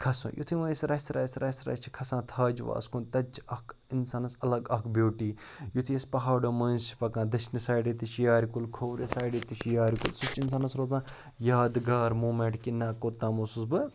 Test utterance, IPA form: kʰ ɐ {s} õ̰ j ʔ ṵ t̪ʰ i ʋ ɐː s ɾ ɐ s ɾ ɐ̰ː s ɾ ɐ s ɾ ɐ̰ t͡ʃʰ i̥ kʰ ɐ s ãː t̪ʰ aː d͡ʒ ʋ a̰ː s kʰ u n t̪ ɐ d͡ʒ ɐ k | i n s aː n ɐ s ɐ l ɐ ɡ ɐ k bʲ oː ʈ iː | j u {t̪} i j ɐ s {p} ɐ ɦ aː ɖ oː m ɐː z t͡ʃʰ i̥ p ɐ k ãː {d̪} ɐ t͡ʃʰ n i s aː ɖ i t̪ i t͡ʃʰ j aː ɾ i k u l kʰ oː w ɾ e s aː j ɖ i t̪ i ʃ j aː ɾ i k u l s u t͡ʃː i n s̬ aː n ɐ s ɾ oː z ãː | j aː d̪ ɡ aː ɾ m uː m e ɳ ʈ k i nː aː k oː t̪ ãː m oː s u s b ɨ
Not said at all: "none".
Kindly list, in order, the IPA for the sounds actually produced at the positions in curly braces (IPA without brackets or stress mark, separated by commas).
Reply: s, t̪ʰ, p, d̪